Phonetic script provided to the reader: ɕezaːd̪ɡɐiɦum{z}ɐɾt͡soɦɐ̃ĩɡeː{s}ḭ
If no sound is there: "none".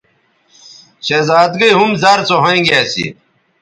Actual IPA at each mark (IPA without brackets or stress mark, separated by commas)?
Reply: z, s